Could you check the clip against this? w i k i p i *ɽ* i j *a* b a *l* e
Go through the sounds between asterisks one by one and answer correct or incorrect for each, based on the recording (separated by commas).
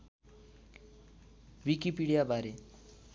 correct, correct, incorrect